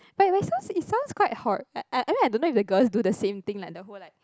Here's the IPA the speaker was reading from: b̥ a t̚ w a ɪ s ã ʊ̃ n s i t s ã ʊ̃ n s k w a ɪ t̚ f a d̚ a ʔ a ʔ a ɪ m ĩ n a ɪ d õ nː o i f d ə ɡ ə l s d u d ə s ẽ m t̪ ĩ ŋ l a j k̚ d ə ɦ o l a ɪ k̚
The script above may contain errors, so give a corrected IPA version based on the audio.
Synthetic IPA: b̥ a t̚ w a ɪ s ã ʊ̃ n s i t s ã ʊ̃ n s k w a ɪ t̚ h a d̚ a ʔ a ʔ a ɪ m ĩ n a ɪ d õ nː o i f d ə ɡ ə l s d u d ə s ẽ m t̪ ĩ ŋ l a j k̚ d ə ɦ o l a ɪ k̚